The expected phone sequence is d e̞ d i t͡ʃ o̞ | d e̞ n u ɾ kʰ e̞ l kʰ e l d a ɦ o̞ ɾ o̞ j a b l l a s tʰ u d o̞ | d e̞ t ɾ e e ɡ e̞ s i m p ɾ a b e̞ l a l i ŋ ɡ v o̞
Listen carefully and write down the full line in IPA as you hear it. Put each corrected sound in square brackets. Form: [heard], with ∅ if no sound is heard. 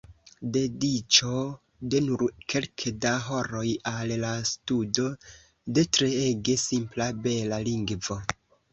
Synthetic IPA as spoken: d e̞ d i t͡ʃ o̞ | d e̞ n u ɾ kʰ e̞ l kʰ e [∅] d a ɦ o̞ ɾ o̞ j a [∅] l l a s [t] u d o̞ | d e̞ t ɾ e e ɡ e̞ s i m p [l] a b e̞ l a l i ŋ ɡ v o̞